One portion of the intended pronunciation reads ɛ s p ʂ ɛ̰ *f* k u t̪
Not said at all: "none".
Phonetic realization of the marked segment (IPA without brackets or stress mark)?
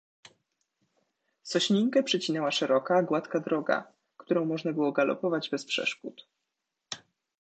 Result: ʂ